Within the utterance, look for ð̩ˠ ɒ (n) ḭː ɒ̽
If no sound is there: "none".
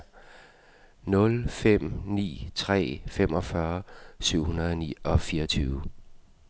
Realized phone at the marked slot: n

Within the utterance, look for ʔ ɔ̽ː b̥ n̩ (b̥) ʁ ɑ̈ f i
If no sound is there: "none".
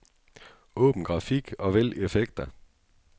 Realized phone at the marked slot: ɡ̥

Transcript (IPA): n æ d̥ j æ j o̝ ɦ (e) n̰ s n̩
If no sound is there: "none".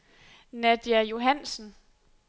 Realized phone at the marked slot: æ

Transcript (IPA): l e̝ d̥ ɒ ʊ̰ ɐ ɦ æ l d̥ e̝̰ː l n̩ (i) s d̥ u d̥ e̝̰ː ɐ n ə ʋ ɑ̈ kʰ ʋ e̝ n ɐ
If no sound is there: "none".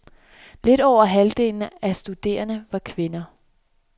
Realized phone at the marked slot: æ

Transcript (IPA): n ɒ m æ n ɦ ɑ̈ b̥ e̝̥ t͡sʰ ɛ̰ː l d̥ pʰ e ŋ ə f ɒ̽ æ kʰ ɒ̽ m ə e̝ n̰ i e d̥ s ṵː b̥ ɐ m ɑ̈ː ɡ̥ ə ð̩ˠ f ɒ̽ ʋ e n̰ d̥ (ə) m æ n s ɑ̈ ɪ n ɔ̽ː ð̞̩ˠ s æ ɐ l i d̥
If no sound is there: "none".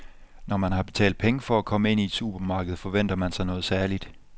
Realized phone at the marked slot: ɐ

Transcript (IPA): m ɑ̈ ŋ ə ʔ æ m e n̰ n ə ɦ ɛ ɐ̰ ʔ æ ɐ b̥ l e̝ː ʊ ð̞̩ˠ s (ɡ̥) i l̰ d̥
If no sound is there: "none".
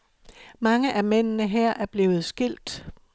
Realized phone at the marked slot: ɡ̥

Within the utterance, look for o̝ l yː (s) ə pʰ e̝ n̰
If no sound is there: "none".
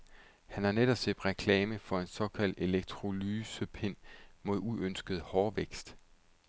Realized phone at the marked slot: s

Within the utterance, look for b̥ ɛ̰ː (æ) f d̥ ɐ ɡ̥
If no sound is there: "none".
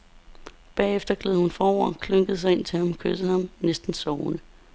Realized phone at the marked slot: e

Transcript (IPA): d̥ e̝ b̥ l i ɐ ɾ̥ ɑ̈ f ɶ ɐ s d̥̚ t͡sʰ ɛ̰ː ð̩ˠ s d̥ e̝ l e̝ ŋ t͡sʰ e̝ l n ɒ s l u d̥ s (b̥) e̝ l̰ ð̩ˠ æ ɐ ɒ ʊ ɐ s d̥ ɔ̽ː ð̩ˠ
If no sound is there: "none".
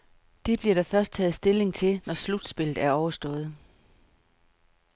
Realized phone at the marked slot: b̥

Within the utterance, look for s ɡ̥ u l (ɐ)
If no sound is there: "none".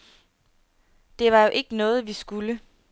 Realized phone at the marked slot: ə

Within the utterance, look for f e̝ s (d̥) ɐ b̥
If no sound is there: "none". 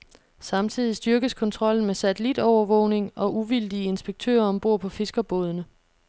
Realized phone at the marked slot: ɡ̥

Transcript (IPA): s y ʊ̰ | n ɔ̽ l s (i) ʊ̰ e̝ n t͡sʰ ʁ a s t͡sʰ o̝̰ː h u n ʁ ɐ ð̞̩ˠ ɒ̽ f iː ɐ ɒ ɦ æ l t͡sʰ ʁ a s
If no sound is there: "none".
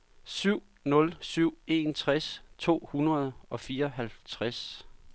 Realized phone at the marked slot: y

